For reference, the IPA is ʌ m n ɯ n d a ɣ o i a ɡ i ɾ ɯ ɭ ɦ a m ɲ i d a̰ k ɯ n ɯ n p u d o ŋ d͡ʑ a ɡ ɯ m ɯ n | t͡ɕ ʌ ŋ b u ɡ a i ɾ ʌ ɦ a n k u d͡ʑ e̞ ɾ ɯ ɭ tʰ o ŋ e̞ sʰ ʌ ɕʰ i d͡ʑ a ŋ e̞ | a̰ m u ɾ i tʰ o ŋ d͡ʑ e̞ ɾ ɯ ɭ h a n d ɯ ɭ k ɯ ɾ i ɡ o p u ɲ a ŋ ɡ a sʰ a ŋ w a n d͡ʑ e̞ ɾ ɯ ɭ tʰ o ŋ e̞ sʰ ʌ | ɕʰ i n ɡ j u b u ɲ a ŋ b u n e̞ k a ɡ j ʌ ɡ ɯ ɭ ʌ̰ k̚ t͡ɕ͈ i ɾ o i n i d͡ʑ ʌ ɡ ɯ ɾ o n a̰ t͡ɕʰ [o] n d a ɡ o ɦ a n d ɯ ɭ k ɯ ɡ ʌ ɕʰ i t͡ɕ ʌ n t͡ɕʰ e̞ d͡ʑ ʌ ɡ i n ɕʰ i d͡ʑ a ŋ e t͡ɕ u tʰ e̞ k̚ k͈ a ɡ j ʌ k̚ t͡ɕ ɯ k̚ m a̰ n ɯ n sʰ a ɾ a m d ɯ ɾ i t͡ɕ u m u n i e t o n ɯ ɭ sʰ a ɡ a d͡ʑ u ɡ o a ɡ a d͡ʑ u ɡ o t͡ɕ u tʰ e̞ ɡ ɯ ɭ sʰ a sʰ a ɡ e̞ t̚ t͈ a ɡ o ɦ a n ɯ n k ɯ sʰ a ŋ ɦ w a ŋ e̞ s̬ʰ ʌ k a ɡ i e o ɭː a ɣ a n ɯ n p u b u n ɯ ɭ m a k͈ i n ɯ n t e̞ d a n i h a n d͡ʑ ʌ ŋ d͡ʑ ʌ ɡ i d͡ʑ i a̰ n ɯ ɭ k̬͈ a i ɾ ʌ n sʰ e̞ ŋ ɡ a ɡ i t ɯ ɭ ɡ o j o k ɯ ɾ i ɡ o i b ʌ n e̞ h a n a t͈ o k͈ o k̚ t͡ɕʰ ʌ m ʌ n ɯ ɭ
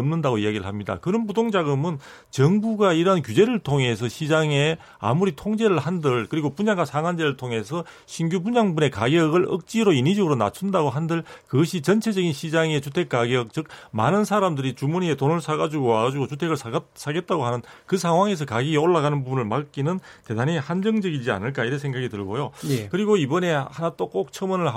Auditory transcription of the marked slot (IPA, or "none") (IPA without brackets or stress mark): u